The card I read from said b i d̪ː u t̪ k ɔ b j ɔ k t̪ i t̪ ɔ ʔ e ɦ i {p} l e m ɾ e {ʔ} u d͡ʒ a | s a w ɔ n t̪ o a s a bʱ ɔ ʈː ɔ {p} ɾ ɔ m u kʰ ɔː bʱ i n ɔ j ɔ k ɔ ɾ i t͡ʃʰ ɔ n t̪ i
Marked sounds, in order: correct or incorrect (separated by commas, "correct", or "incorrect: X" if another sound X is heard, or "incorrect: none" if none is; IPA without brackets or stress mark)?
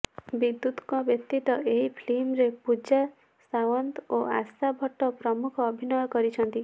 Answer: incorrect: pʰ, incorrect: p, correct